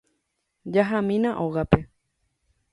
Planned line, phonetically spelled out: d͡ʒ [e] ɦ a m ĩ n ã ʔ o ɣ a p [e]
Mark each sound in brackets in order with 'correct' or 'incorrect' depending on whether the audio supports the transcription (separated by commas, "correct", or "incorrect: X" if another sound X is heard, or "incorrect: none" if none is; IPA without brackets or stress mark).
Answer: incorrect: a, correct